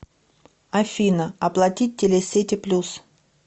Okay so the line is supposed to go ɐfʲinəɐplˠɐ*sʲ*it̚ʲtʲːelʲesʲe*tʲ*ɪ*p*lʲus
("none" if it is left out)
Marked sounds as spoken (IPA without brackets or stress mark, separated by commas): tʲ, tʲ, p